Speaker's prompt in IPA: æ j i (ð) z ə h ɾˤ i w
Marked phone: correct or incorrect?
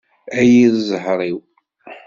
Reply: correct